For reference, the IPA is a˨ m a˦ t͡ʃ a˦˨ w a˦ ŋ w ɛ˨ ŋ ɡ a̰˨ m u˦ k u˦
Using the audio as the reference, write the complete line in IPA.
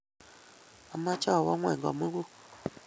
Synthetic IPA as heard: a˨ m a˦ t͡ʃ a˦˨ w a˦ ŋ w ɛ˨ ŋ ɡ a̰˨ m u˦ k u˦